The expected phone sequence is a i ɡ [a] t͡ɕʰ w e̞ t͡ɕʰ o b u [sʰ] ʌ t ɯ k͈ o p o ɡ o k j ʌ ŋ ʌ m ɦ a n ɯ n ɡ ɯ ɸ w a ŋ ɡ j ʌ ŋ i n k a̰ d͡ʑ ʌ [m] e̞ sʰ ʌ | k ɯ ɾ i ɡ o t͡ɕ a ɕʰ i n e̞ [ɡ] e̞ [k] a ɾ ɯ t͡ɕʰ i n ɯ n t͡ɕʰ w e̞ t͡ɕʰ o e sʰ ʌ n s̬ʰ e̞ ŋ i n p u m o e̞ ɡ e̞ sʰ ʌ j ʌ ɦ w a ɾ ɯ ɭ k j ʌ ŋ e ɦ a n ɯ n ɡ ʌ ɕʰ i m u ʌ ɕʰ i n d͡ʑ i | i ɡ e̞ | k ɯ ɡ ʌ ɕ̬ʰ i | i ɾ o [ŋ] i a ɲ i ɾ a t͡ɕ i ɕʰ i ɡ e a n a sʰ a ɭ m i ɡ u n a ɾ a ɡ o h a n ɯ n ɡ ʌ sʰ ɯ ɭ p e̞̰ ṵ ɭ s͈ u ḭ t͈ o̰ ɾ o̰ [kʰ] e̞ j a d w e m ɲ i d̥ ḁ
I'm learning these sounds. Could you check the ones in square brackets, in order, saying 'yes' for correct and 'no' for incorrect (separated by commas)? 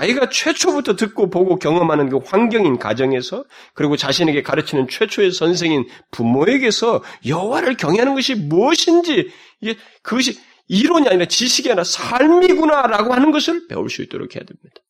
yes, no, no, yes, yes, no, yes